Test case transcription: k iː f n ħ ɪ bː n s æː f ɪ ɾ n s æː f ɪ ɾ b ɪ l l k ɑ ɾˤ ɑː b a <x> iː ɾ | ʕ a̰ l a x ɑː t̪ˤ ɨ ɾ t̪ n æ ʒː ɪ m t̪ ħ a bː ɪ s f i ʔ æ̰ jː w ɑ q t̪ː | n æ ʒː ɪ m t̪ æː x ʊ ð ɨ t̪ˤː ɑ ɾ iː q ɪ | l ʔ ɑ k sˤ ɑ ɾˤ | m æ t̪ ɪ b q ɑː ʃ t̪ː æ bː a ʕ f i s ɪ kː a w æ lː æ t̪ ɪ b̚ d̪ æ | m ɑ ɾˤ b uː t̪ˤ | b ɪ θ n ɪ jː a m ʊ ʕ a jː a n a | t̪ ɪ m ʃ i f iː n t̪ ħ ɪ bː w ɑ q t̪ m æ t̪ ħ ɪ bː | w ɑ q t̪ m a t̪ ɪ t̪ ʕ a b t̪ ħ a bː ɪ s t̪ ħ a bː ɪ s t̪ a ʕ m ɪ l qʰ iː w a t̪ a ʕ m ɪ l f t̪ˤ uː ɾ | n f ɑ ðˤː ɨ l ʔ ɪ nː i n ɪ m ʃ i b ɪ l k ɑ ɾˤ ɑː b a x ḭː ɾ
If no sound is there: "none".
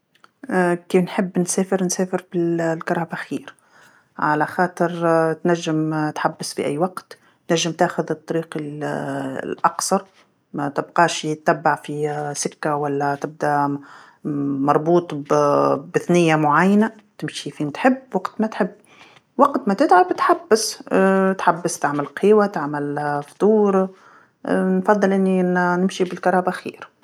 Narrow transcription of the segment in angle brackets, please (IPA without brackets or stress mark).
x